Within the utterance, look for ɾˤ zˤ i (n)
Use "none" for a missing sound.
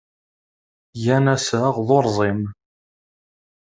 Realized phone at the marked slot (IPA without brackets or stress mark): m